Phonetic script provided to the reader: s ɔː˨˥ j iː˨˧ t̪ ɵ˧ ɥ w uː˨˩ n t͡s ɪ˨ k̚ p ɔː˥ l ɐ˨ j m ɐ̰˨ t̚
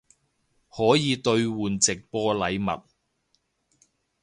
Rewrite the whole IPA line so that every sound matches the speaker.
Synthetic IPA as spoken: h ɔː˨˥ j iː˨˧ t̪ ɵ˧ ɥ w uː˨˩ n t͡s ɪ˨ k̚ p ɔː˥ l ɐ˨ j m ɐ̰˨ t̚

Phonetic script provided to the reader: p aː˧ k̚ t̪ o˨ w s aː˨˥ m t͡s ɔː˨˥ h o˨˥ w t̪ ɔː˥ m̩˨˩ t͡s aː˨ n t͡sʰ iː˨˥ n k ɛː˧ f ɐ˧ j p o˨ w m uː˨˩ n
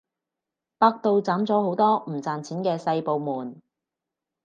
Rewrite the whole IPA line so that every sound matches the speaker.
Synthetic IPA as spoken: p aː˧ k̚ t̪ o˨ w t͡s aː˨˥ m t͡s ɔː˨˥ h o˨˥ w t̪ ɔː˥ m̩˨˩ t͡s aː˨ n t͡sʰ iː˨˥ n k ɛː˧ s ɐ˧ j p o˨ w m uː˨˩ n

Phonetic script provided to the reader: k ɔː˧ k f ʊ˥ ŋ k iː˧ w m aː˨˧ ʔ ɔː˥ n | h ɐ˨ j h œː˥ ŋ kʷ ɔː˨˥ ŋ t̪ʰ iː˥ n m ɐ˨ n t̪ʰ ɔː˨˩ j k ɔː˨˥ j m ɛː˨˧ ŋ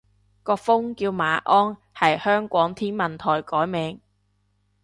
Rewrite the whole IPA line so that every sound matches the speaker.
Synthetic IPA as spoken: k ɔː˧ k f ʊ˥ ŋ k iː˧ w m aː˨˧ ʔ ɔː˥ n | h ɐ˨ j h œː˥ ŋ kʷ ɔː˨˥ ŋ t̪ʰ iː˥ n m ɐ˨ n t̪ʰ ɔː˨˩ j k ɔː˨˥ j m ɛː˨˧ ŋ

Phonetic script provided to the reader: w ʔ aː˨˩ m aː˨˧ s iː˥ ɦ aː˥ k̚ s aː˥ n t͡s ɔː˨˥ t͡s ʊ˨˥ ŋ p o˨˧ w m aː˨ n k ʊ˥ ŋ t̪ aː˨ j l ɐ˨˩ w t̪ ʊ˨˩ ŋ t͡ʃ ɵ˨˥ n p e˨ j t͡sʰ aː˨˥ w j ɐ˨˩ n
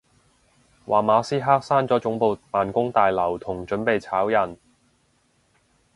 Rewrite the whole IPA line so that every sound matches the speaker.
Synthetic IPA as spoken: w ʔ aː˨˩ m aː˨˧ s iː˥ ɦ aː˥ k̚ s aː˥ n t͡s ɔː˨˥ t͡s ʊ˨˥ ŋ p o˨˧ w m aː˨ n k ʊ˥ ŋ t̪ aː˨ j l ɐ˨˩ w t̪ʰ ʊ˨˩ ŋ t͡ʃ ɵ˨˥ n p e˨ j t͡sʰ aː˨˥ w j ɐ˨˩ n

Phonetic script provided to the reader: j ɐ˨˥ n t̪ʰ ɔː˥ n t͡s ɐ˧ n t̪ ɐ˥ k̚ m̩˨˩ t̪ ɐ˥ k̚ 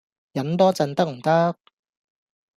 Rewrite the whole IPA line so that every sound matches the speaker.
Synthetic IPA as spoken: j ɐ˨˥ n t̪ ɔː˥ t͡s ɐ˧ n t̪ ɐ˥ k̚ m̩˨˩ t̪ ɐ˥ k̚

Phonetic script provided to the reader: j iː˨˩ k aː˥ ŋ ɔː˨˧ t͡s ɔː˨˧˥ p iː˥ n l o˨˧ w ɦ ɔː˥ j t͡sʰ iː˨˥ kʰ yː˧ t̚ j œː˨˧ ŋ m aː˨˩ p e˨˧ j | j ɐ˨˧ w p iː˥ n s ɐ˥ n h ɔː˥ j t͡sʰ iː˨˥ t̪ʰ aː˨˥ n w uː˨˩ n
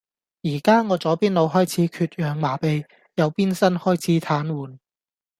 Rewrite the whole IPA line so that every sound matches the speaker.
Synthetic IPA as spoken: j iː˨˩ k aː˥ ŋ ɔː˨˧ t͡s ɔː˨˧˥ p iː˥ n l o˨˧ w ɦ ɔː˥ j t͡sʰ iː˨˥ kʰ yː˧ t̚ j œː˨˧ ŋ m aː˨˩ p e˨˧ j | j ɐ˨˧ w p iː˥ n s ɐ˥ n h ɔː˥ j t͡sʰ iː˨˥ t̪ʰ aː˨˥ n w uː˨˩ n

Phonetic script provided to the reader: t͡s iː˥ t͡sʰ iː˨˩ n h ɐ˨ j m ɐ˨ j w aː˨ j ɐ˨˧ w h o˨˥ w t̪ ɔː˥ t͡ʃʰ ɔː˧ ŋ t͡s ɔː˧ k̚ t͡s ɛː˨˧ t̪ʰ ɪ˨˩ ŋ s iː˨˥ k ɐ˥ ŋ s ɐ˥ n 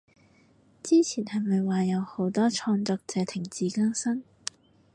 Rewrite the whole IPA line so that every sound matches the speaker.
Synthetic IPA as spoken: t͡s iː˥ t͡sʰ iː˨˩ n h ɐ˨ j m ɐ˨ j w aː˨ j ɐ˨˧ w h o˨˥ w t̪ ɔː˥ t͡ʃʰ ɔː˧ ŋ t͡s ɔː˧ k̚ t͡s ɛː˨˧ t̪ʰ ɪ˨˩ ŋ t͡s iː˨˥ k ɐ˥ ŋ s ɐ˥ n

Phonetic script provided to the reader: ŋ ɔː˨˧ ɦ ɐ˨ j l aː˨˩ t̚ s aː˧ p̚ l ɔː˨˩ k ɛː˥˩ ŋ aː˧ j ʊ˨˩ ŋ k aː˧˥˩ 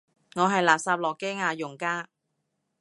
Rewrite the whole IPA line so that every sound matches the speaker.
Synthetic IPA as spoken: ŋ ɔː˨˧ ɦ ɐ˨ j l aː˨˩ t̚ s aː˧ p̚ l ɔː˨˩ k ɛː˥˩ ŋ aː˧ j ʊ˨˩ ŋ k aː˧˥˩

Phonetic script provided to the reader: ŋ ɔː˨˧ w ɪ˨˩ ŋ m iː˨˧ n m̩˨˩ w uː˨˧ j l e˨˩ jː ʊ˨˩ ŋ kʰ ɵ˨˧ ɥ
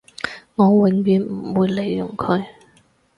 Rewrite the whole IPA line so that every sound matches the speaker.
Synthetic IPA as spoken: ŋ ɔː˨˧ w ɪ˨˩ ŋ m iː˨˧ n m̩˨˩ w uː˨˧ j l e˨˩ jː ʊ˨˩ ŋ kʰ ɵ˨˧ ɥ

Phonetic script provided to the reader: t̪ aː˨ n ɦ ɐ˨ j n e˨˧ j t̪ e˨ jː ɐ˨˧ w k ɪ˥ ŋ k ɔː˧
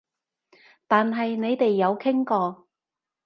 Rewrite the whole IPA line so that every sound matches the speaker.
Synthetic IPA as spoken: t̪ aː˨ n ɦ ɐ˨ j n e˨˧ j t̪ e˨ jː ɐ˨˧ w kʰ ɪ˥ ŋ k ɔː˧

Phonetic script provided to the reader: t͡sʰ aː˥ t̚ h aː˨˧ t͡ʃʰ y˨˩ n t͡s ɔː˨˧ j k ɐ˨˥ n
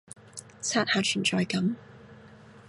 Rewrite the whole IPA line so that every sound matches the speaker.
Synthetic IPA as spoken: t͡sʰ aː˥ t̚ h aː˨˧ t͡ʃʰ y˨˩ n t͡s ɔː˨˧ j k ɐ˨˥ m

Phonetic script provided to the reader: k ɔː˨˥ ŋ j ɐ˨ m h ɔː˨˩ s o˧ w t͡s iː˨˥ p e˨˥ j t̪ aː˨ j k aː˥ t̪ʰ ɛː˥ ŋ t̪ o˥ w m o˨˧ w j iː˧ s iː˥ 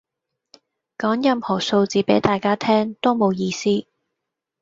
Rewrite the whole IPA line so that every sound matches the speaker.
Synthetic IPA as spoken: k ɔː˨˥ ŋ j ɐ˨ m h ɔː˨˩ s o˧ w t͡s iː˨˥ p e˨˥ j t̪ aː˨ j k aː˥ t̪ʰ ɛː˥ ŋ t̪ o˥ w m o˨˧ w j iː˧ s iː˥

